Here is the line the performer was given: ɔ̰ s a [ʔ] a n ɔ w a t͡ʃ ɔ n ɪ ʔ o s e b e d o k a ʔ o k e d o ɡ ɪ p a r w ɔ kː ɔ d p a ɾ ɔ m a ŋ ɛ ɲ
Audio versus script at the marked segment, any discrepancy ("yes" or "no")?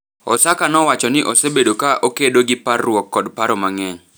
yes